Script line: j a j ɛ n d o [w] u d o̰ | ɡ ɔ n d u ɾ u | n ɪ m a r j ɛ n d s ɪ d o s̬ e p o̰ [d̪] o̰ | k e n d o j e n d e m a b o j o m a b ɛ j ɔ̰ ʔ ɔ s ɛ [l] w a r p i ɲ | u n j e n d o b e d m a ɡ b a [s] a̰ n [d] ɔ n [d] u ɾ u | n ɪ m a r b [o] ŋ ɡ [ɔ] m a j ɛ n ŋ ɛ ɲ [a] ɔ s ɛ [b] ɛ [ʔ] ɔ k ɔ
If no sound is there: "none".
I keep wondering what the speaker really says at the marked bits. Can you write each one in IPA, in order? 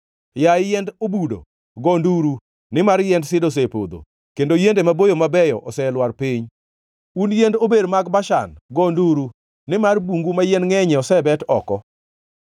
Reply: b, d̪, l, ʃ, ɡ, d, u, u, ɛ, b, t

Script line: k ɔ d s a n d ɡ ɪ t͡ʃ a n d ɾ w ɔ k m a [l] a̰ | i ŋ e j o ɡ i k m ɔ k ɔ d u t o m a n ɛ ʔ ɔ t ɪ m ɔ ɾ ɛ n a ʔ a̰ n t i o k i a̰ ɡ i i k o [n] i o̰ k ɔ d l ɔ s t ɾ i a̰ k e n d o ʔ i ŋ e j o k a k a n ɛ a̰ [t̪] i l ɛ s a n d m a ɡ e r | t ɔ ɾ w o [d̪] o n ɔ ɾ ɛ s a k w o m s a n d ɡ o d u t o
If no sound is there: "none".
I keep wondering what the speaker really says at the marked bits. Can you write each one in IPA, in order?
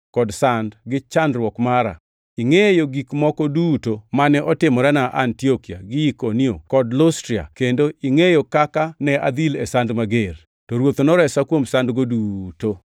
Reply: ɾ, n, d̪, t̪

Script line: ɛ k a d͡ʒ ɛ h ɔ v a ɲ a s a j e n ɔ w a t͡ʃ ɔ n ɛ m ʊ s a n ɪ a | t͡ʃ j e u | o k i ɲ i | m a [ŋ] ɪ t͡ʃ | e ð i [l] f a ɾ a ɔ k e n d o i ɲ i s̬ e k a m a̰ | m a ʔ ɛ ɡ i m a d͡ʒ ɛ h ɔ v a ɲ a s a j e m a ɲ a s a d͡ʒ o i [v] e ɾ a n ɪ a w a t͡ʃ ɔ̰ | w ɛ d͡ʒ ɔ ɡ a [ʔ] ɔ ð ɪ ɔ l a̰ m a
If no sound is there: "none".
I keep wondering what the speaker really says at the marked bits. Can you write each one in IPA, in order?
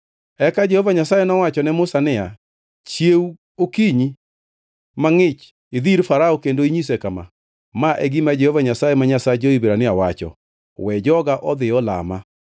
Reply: ŋ, ɾ, b, ʔ

